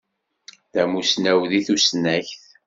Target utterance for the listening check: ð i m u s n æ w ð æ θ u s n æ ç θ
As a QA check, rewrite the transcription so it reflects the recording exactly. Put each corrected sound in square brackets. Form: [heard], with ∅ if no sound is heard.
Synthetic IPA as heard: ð [æ] m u s n æ w ð [i] θ u s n æ ç θ